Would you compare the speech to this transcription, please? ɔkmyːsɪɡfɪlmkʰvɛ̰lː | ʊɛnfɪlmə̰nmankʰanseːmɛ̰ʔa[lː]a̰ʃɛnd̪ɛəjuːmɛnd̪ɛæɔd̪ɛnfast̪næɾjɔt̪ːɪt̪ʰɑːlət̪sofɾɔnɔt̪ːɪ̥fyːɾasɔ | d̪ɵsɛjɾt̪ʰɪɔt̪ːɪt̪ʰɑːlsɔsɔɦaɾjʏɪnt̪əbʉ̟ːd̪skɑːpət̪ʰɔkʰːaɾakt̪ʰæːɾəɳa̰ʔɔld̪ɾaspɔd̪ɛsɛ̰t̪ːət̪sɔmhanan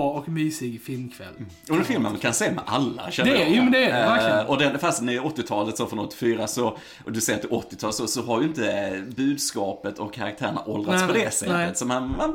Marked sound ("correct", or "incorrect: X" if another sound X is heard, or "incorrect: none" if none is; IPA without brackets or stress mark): correct